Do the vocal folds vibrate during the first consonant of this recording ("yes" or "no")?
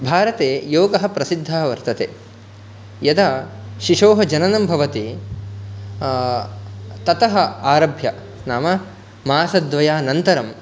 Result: yes